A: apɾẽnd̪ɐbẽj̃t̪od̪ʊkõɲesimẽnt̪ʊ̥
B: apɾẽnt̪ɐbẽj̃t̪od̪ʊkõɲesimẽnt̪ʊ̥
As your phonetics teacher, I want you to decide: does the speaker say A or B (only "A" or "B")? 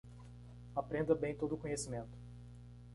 A